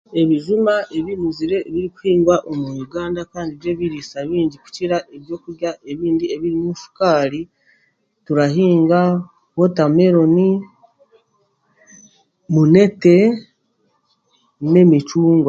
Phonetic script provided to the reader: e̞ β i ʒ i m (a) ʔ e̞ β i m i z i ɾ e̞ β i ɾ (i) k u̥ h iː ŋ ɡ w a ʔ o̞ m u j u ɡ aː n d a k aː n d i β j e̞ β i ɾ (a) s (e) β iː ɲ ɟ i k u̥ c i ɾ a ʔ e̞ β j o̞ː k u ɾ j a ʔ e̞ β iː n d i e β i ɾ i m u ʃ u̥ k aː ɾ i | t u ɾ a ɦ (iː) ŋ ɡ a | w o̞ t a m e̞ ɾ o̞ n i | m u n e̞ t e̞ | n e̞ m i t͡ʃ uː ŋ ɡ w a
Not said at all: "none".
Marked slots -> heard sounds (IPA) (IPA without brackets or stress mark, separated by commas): a, i, i, a, iː